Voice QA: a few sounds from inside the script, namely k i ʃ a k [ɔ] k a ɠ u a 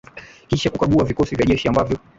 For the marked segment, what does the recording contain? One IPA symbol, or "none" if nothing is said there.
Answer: u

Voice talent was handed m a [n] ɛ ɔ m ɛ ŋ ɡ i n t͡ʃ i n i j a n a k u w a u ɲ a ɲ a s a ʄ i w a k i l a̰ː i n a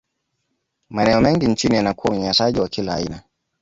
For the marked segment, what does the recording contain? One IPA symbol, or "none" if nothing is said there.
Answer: n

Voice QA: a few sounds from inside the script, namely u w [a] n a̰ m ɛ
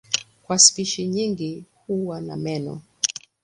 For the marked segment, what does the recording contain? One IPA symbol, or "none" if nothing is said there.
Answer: a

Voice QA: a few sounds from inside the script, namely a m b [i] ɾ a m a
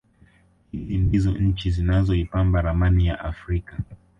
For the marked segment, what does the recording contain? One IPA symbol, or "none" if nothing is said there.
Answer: a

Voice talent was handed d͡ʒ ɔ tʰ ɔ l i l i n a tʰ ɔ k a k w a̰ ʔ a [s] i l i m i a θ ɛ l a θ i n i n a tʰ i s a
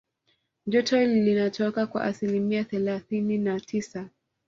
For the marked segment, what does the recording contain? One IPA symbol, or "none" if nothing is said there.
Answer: s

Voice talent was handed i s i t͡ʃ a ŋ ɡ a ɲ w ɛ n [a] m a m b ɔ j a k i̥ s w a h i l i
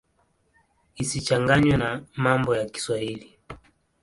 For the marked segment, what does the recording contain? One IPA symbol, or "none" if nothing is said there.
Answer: a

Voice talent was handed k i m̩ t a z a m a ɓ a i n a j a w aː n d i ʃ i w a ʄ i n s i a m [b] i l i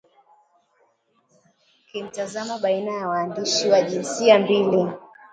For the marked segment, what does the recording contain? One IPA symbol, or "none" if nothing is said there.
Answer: b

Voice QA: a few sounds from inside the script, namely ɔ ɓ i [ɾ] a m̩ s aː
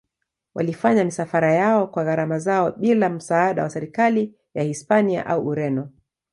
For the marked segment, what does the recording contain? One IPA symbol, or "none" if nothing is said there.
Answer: l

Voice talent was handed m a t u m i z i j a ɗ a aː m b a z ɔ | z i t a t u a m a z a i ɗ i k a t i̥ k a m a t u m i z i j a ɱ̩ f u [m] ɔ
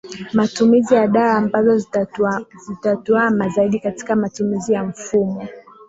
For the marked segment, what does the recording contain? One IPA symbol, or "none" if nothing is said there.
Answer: m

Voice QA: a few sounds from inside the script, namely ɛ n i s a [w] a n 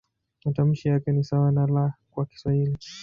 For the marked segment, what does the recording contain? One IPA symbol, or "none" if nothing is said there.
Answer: w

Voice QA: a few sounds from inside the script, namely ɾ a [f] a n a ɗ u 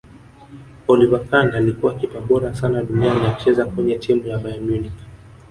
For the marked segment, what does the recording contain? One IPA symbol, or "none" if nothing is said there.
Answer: s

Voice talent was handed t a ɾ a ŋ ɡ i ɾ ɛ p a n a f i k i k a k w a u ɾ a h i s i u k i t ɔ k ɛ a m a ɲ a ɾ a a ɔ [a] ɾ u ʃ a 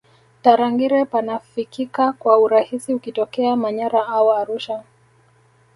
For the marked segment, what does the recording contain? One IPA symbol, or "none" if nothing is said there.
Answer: a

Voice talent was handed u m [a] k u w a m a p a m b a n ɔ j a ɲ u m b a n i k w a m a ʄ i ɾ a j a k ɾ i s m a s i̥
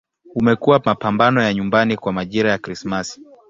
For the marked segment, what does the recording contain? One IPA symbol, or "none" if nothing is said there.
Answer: ɛ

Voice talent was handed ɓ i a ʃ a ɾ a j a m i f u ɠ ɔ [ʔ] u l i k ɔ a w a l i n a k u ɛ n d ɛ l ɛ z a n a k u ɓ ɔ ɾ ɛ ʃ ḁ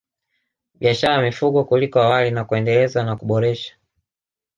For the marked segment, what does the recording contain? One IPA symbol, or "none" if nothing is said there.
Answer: k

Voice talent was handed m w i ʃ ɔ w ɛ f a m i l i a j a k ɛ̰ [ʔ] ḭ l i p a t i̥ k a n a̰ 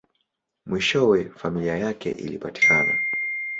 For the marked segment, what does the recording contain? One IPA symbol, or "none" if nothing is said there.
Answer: ʔ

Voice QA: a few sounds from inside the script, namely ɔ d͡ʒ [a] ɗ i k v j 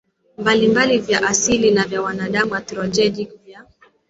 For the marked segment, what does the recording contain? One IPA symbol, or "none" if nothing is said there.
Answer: ɛ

